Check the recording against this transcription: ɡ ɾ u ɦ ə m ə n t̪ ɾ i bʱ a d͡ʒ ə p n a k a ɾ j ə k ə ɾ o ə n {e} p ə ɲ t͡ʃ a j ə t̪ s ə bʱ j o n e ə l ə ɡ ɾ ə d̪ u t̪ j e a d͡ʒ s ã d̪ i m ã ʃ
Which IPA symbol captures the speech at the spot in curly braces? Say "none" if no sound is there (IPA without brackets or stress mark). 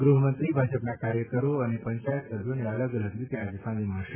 e